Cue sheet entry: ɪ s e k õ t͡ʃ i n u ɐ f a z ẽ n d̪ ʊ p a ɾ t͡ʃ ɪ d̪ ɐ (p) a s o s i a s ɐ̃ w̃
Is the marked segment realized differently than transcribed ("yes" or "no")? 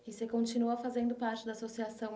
yes